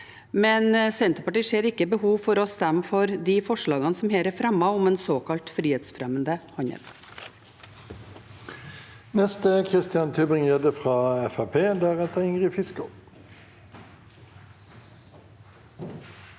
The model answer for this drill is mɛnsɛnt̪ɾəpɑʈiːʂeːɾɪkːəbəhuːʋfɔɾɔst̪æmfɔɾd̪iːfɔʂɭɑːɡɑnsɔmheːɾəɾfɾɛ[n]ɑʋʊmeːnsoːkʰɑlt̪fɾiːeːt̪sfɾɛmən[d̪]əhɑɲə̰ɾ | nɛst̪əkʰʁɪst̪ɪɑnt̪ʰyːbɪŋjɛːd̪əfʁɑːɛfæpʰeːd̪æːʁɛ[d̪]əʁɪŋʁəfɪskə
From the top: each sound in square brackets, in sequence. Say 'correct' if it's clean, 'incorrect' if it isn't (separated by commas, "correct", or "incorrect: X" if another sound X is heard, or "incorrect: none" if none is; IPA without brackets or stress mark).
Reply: incorrect: m, correct, incorrect: t̪